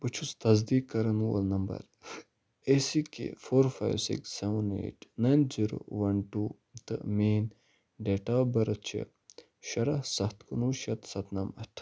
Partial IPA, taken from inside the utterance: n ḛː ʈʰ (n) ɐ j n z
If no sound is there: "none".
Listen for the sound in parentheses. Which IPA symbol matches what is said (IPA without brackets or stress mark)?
n